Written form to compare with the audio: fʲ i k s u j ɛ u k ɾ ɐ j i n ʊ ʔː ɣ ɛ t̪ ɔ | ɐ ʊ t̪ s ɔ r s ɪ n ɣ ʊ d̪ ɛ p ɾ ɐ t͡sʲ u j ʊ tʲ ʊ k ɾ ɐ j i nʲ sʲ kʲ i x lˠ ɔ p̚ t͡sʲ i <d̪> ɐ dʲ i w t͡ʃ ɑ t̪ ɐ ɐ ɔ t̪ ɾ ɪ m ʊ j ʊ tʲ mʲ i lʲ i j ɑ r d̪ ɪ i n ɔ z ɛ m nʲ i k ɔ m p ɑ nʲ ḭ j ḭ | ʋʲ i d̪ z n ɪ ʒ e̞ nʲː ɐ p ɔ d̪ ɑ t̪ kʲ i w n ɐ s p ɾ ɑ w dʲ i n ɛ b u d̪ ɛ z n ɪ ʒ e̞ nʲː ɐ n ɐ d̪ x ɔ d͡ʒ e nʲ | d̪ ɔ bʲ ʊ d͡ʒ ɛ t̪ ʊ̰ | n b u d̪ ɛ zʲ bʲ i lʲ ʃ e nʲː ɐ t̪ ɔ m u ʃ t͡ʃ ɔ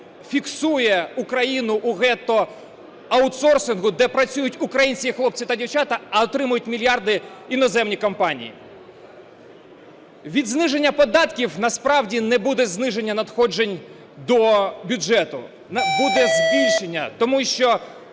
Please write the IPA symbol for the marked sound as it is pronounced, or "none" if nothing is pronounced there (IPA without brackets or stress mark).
t̪